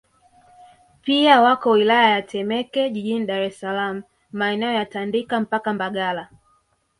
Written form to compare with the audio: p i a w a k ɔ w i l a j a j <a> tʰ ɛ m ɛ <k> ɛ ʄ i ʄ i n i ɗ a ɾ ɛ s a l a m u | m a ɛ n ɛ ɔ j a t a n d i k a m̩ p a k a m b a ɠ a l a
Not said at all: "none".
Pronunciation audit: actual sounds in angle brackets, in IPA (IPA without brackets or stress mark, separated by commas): a, k